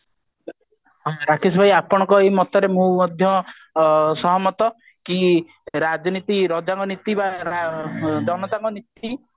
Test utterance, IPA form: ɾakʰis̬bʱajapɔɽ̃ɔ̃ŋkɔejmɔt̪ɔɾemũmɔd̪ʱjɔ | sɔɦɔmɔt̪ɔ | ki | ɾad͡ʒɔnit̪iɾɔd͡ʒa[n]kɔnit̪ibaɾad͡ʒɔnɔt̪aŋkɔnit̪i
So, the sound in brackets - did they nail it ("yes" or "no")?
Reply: no